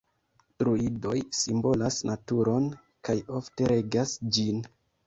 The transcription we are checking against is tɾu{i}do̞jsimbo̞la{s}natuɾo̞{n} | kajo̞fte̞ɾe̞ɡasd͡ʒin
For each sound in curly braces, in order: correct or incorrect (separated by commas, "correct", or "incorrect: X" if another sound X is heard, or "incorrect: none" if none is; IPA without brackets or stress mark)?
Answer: correct, correct, correct